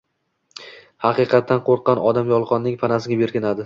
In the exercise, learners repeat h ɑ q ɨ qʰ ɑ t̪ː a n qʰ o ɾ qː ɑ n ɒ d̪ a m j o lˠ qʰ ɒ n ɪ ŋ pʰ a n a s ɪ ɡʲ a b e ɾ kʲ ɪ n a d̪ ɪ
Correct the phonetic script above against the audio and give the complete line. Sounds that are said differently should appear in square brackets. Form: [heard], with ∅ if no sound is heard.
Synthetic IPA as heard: h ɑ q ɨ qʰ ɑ t̪ː a n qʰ o ɾ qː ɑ n ɒ d̪ a m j [ɒ] lˠ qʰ ɒ [nː] ɪ ŋ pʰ a n a s ɪ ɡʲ a b e ɾ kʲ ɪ n a d̪ ɪ